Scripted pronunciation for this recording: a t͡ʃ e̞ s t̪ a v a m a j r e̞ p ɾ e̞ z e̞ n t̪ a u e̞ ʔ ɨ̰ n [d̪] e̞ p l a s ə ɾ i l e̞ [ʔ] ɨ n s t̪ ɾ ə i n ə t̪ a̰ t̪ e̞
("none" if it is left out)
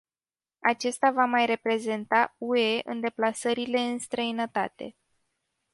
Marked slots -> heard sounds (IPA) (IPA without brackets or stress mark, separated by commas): d̪, none